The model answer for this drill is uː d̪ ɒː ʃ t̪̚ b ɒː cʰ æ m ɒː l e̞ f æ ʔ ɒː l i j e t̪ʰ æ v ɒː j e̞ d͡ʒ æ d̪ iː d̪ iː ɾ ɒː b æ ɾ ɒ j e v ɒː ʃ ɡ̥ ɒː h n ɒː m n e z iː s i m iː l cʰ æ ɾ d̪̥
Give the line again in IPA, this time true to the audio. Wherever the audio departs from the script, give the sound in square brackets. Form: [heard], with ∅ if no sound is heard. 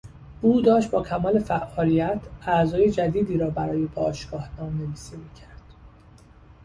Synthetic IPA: uː d̪ ɒː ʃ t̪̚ b ɒː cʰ æ m ɒː l e̞ f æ ʔ ɒː l i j [æ] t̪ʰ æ [z] ɒː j e̞ d͡ʒ æ d̪ iː d̪ iː ɾ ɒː b æ ɾ [ɒː] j e [b] ɒː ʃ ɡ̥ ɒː h n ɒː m n e [v] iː s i m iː [∅] cʰ æ ɾ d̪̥